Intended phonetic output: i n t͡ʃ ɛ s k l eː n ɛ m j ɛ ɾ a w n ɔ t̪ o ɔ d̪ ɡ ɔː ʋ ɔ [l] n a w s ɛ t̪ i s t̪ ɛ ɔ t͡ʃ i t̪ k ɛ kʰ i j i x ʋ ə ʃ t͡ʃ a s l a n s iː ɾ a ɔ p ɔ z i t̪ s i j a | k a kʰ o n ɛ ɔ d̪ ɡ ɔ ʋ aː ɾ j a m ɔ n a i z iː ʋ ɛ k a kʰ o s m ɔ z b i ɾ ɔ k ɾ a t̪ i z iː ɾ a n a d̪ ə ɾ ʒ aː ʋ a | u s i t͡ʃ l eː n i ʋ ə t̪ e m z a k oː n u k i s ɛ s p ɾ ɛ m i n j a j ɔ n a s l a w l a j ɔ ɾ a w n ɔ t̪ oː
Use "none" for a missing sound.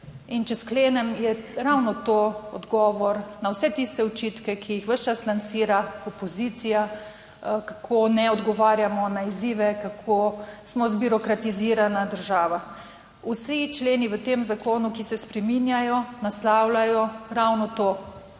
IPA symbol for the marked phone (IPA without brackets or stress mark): ɾ